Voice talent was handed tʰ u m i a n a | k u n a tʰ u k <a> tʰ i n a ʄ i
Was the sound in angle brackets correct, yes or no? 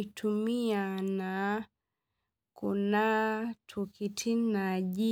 no